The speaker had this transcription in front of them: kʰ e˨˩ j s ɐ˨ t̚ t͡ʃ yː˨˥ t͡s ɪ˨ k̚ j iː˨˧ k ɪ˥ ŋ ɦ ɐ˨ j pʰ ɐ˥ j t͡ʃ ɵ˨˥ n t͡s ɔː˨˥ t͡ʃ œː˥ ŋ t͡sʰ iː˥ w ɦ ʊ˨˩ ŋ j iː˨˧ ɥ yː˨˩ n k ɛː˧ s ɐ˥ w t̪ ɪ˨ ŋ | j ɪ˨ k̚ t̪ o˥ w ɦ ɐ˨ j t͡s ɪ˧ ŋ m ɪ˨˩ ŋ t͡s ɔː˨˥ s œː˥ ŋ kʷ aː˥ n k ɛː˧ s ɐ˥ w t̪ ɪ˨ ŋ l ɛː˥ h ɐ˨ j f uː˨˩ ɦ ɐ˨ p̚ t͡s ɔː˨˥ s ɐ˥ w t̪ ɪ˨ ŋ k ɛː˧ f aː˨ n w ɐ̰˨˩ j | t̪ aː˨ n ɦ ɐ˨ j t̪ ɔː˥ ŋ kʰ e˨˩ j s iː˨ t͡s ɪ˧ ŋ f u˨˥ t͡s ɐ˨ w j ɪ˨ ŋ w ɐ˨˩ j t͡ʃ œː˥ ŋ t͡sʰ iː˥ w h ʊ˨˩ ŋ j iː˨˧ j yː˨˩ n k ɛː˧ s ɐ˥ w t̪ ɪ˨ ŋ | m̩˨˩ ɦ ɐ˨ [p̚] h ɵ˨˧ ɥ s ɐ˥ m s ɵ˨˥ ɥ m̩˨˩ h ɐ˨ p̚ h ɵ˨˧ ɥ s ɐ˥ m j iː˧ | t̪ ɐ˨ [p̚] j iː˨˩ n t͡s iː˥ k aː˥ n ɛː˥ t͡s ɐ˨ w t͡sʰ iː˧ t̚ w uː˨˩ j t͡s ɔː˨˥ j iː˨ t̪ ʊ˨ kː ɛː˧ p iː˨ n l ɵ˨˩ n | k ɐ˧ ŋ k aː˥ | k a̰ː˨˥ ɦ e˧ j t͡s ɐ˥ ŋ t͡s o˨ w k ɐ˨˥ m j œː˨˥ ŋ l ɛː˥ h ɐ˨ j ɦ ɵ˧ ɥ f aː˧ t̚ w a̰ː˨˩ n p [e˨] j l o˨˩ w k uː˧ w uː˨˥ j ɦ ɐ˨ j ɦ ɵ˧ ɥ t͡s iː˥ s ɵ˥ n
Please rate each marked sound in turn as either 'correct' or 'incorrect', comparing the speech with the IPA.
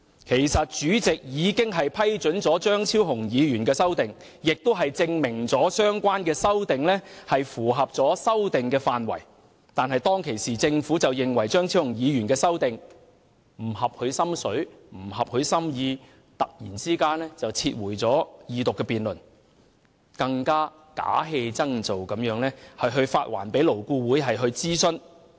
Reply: correct, incorrect, incorrect

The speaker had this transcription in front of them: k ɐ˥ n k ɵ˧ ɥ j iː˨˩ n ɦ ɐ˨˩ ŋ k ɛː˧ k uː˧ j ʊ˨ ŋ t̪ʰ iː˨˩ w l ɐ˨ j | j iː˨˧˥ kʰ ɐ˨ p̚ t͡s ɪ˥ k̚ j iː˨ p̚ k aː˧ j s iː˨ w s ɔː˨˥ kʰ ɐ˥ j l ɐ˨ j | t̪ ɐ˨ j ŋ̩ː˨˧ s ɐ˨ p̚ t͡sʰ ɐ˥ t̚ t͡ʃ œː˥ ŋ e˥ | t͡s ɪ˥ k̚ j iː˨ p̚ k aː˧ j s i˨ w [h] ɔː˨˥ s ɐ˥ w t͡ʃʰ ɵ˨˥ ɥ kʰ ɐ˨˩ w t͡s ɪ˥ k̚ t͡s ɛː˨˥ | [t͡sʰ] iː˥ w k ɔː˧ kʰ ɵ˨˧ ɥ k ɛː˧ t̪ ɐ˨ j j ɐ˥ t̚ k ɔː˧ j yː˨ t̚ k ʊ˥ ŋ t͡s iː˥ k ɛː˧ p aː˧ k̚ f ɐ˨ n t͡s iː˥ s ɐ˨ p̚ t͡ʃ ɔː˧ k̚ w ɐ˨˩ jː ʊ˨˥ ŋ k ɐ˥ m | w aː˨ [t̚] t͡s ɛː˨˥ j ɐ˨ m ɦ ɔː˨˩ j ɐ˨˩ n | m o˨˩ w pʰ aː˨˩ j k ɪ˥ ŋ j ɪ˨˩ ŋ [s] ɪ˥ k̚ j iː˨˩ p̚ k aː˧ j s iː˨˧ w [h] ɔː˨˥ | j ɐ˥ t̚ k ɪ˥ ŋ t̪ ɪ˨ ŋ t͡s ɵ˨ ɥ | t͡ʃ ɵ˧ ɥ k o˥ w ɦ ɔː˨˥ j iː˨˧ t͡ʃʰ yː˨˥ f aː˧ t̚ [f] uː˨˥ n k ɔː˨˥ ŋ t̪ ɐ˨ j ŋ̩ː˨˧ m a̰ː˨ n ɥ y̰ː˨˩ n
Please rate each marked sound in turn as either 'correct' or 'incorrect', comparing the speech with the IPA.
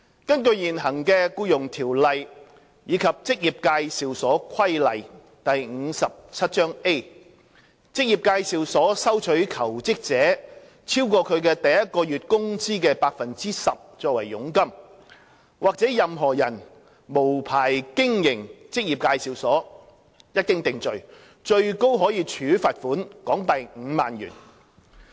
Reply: incorrect, correct, incorrect, incorrect, incorrect, correct

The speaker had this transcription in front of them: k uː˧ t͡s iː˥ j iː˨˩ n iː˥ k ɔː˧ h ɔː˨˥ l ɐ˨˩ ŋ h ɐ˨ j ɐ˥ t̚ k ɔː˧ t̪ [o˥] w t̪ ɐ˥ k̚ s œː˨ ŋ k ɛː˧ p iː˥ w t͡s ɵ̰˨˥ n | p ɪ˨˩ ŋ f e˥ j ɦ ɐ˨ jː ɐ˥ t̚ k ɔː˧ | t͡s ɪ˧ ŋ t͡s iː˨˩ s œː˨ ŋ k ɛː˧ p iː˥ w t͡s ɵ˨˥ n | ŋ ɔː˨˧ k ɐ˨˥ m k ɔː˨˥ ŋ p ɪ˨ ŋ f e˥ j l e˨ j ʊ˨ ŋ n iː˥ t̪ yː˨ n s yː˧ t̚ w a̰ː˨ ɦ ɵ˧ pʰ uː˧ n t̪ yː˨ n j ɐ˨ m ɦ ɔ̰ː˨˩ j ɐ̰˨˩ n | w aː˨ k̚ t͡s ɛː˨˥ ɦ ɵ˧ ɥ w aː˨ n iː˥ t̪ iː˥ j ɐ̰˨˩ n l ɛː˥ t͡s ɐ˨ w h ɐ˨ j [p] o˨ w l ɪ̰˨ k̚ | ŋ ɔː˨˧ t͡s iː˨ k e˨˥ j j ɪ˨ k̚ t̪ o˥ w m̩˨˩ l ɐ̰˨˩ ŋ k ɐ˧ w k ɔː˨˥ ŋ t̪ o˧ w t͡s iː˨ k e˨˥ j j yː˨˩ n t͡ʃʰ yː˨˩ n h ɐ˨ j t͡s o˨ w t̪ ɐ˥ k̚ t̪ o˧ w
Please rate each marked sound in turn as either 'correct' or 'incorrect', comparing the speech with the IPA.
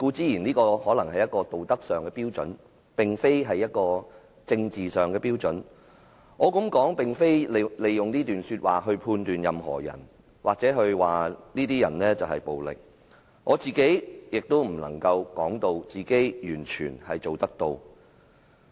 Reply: incorrect, correct

